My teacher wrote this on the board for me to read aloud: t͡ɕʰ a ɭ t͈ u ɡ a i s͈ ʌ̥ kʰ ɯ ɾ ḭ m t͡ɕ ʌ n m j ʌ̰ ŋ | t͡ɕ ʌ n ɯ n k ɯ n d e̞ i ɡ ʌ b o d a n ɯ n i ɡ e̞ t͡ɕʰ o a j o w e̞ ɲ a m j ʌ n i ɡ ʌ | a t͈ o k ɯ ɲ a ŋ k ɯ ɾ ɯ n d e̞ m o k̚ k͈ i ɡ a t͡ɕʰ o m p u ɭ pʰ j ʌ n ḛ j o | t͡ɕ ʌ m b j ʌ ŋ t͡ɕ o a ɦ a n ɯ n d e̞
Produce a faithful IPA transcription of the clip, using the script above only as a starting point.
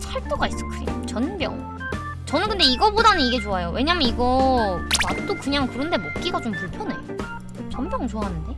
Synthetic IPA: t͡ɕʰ a ɭ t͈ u ɡ a i s͈ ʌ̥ kʰ ɯ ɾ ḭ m t͡ɕ ʌ n b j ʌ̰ ŋ | t͡ɕ ʌ n ɯ n k ɯ n d e̞ i ɡ ʌ b o d a n ɯ n i ɡ e̞ t͡ɕ o a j o w e̞ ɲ a m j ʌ n i ɡ ʌ | a t͈ o k ɯ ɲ a ŋ k ɯ ɾ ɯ n d e̞ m o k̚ k͈ i ɡ a t͡ɕ o m p u ɭ pʰ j ʌ n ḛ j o | t͡ɕ ʌ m b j ʌ ŋ t͡ɕ o a ɦ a n ɯ n d e̞

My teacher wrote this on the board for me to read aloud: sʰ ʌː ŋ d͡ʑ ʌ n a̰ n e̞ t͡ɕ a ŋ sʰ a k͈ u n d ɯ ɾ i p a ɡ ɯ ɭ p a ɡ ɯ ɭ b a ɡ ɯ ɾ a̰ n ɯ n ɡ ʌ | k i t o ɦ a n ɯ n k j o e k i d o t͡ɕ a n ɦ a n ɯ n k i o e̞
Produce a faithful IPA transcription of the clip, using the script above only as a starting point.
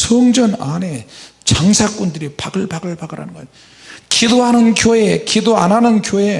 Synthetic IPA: sʰ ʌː ŋ d͡ʑ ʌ n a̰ n e̞ t͡ɕ a ŋ sʰ a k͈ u n d ɯ ɾ i p a ɡ ɯ ɭ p a ɡ ɯ ɭ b a ɡ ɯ ɾ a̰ n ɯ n ɡ ʌ | k i d o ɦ a n ɯ n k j o e k i d o a n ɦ a n ɯ n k j o e̞

